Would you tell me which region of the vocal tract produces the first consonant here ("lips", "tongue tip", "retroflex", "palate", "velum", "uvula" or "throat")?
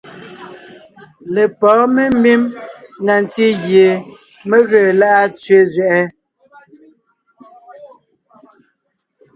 tongue tip